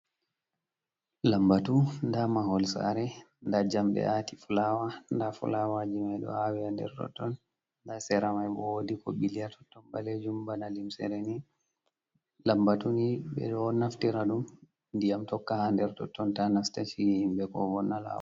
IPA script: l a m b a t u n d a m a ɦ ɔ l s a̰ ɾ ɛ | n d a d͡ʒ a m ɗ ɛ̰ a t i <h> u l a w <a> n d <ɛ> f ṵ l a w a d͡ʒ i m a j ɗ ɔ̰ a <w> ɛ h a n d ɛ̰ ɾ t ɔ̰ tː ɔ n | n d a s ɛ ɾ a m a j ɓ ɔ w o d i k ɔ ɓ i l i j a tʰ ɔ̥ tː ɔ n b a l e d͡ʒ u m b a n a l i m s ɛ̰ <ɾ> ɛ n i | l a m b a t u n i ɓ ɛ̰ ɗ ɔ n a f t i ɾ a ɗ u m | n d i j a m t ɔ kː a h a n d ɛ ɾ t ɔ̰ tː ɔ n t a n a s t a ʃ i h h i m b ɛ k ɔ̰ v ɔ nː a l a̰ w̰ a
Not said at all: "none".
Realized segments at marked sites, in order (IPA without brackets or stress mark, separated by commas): f, a, a, w, ɾ